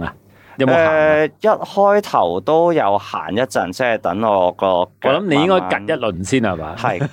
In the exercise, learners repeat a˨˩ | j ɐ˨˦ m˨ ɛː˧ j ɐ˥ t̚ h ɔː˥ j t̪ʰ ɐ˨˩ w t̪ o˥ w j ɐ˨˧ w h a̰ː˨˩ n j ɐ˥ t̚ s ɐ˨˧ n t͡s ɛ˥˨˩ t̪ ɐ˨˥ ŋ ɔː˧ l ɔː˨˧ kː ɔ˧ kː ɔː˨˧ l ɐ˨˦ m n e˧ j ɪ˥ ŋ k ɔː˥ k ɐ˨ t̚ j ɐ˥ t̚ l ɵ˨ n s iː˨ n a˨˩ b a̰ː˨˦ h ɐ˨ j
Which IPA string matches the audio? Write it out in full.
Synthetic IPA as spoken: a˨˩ | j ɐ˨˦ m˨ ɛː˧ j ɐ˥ t̚ h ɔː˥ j t̪ʰ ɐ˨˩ w t̪ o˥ w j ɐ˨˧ w h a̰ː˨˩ n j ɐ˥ t̚ t͡s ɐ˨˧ n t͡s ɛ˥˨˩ t̪ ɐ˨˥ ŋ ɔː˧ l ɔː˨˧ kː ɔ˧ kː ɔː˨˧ l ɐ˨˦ m n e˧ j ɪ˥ ŋ k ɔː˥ k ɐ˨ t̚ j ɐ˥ t̚ l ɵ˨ n s iː˥ n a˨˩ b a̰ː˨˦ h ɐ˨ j